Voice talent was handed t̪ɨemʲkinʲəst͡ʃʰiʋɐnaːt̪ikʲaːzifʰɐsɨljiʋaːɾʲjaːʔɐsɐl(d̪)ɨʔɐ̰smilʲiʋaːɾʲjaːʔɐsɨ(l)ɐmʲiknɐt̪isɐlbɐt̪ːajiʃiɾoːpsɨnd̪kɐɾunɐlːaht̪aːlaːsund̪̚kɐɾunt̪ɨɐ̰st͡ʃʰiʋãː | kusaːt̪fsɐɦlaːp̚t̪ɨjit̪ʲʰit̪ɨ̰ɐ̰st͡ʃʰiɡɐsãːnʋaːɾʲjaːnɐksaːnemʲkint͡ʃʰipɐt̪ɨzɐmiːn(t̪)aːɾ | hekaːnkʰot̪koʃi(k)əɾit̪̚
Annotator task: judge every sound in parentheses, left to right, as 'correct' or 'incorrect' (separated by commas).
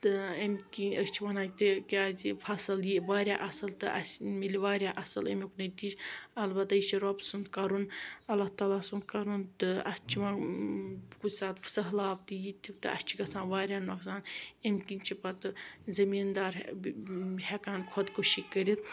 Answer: incorrect, correct, incorrect, correct